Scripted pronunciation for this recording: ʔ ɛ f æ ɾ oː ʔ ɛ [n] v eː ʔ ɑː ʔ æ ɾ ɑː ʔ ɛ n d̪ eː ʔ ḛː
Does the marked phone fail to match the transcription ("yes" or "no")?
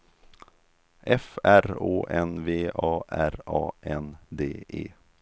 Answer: no